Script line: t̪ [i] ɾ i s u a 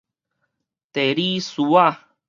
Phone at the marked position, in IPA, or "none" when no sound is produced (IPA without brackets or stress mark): e